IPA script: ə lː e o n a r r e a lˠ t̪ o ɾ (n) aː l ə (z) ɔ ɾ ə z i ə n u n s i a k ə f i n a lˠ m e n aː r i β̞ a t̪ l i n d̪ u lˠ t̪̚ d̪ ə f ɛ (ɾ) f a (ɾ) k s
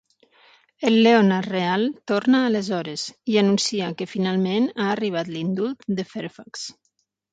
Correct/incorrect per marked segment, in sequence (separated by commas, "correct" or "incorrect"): correct, correct, correct, incorrect